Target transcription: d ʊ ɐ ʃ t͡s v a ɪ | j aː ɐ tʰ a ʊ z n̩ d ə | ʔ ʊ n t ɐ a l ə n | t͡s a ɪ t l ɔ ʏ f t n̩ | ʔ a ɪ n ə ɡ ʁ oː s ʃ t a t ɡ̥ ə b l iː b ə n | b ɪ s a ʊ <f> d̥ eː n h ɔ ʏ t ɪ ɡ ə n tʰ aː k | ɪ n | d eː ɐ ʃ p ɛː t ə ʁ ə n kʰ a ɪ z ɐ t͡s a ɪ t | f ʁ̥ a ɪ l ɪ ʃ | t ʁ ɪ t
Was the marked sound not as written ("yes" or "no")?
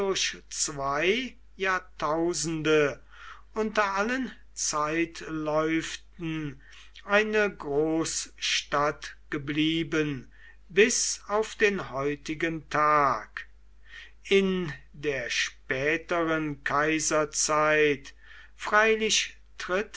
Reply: no